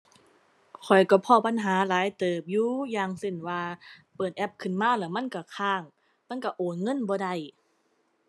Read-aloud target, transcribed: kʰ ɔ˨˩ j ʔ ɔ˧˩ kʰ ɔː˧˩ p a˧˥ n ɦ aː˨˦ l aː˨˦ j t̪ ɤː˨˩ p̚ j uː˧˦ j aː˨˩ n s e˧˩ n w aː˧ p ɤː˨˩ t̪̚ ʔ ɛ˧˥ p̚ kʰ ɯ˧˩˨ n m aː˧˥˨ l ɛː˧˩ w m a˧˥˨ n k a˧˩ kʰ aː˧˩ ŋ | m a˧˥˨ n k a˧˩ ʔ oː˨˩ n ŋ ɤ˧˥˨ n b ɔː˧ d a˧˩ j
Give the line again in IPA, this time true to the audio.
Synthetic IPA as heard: kʰ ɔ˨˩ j k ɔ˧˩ pʰ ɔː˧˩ p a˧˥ n ɦ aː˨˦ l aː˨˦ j t̪ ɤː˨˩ p̚ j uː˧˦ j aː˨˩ ŋ s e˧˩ n w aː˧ p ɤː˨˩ t̪̚ ʔ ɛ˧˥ p̚ kʰ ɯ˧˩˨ n m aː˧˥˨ l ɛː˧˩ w m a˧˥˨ n k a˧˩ kʰ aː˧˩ ŋ | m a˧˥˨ n k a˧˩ ʔ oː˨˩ n ŋ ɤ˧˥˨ n b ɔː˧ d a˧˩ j

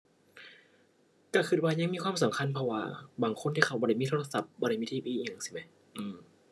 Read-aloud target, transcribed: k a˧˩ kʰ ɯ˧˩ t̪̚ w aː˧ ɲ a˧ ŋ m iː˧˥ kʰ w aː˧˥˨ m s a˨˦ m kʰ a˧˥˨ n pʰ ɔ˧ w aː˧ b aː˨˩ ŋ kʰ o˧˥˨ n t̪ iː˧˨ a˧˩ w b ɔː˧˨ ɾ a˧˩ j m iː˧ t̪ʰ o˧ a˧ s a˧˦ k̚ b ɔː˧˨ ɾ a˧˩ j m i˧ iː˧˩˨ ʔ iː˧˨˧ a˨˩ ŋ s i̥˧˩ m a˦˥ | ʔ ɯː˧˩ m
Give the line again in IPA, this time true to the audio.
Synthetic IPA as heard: k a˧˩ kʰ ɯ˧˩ t̪̚ w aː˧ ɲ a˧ ŋ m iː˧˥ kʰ w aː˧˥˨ m s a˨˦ m kʰ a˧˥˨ n pʰ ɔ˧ w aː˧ b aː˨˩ ŋ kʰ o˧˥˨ n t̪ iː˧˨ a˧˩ w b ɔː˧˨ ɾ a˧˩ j m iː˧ t̪ʰ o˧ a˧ s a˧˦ p̚ b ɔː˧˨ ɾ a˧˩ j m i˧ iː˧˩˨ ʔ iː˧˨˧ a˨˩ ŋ s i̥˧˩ m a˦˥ | ʔ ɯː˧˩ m

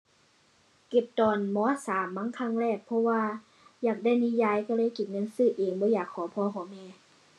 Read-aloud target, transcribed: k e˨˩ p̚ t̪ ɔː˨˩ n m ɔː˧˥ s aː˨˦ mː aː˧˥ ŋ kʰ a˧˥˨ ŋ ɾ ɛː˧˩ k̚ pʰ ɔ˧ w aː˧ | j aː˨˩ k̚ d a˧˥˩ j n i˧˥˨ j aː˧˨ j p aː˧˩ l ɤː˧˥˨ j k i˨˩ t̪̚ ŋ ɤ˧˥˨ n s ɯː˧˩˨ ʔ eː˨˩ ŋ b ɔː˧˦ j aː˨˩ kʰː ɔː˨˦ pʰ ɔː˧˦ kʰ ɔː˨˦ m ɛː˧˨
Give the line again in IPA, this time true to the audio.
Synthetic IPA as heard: k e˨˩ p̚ t̪ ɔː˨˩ n m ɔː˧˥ s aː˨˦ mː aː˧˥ ŋ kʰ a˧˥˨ ŋ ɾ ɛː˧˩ k̚ pʰ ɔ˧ w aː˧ | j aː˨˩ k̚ d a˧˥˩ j n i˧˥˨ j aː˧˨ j k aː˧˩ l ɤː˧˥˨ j k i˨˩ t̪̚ ŋ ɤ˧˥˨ n s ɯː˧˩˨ ʔ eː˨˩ ŋ b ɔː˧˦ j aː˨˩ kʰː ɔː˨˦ pʰ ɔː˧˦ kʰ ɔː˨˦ m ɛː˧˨

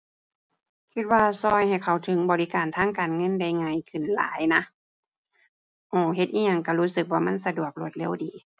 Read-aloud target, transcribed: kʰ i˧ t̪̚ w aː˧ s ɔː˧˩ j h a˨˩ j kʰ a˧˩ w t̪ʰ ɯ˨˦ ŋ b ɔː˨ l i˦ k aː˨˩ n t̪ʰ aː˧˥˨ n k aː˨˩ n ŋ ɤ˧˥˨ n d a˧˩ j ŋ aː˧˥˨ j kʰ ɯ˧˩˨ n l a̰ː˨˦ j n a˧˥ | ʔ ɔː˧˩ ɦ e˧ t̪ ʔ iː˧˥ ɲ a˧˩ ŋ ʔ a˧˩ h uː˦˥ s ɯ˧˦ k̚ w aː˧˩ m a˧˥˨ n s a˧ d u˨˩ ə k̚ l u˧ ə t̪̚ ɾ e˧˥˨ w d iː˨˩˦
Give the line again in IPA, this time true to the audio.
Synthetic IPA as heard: kʰ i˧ t̪̚ w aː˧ s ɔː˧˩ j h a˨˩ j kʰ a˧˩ w t̪ʰ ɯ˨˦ ŋ b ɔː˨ l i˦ k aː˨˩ n t̪ʰ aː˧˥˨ ŋ k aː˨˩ n ŋ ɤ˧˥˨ n d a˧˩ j ŋ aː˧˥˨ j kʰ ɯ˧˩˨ n l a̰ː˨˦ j n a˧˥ | ʔ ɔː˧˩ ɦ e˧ t̪ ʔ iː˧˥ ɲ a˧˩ ŋ k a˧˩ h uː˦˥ s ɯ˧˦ k̚ w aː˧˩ m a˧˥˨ n s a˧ d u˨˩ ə k̚ l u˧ ə t̪̚ l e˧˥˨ w d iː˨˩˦

